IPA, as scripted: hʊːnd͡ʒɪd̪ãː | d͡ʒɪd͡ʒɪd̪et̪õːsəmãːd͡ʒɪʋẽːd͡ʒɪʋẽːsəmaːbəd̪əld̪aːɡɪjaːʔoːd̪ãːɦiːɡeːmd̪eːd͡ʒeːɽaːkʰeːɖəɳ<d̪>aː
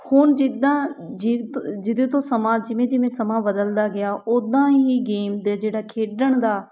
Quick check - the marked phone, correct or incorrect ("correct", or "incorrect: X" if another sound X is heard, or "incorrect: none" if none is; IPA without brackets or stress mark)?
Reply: correct